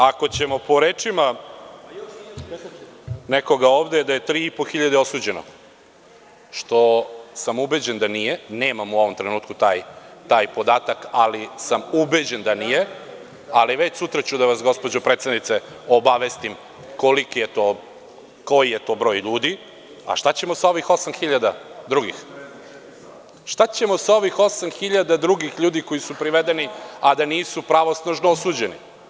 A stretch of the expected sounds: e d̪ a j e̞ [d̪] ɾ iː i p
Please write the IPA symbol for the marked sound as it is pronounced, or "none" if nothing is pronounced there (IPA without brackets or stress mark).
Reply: t̪